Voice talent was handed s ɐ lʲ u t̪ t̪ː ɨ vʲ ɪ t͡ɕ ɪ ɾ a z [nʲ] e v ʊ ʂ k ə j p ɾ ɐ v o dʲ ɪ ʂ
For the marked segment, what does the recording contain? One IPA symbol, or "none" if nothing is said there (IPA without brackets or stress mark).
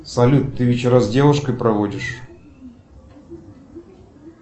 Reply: dʲ